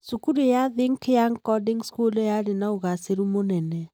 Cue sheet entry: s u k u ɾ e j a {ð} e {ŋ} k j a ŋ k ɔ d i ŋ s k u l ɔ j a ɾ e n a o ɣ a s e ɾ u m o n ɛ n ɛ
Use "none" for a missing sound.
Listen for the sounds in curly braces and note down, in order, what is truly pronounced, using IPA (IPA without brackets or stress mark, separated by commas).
ð, ŋ